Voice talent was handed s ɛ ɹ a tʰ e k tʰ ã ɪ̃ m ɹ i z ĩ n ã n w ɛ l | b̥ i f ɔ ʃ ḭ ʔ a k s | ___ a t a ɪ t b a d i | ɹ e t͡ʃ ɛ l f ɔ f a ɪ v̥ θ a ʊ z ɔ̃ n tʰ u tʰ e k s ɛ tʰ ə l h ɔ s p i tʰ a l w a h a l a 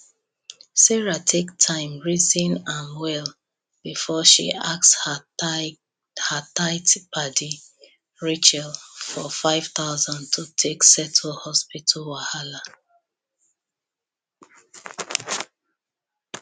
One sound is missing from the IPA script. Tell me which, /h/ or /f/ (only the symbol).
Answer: h